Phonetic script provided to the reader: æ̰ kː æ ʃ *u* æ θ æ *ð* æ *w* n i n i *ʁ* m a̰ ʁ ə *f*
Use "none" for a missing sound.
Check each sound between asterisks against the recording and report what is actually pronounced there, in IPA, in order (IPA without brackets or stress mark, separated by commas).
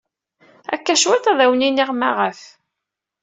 w, ð, w, ʁ, f